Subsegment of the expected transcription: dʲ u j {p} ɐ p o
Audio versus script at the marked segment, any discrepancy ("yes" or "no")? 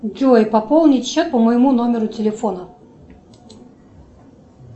no